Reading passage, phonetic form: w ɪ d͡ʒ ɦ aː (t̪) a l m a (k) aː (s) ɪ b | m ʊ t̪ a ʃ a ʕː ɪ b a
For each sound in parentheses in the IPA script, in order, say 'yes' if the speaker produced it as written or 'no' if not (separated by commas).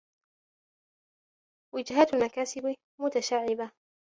yes, yes, yes